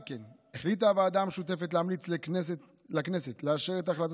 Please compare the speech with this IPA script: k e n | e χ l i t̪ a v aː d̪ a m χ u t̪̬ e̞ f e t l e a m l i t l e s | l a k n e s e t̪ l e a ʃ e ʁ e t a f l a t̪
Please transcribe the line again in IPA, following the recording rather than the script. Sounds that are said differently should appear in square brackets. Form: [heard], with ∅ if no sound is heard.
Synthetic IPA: k e n | e χ l i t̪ a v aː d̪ a m [ʃ] u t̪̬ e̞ f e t l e a m l i [t͡s] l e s | l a k n e s e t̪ l e a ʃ e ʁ e t a [χ] l a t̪